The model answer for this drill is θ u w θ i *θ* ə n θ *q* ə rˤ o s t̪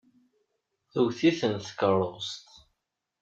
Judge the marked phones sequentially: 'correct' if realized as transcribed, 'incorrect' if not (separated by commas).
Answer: correct, incorrect